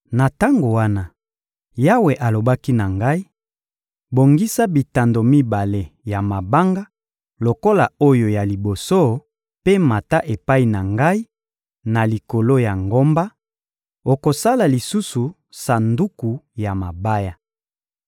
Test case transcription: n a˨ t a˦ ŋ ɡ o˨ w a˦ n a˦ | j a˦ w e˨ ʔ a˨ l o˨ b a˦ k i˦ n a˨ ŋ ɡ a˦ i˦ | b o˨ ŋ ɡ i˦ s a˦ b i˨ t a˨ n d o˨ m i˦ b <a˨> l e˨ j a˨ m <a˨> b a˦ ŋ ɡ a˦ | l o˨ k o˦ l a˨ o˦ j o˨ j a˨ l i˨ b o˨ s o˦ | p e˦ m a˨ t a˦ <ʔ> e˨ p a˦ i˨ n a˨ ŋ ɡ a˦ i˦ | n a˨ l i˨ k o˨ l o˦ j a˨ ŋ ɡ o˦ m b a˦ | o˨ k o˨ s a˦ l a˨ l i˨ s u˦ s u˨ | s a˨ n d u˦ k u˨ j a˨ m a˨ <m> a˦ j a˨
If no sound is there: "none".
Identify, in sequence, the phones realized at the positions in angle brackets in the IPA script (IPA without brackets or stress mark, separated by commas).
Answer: a˨, a˨, ʔ, b